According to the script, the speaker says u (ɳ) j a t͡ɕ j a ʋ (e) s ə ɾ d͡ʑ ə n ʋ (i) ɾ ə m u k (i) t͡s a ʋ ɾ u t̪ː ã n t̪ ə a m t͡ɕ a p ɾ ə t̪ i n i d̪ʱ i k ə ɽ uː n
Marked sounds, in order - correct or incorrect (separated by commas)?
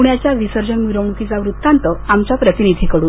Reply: correct, incorrect, correct, correct